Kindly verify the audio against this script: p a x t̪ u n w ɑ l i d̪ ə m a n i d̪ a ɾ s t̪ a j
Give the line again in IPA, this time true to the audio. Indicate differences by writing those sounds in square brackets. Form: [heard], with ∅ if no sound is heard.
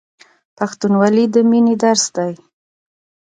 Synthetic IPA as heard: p a x t̪ u n w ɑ l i d̪ ə m [i] n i d̪ a ɾ s [d̪] a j